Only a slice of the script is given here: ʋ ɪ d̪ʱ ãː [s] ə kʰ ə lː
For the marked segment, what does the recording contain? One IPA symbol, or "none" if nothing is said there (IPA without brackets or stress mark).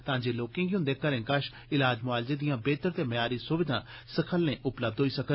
s